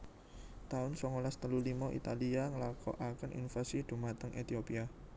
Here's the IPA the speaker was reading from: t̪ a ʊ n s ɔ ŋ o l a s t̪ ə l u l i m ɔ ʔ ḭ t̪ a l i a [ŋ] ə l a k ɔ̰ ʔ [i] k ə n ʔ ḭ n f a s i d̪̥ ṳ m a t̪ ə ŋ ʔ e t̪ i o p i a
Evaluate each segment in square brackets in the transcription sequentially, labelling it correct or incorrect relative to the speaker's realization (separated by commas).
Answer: correct, incorrect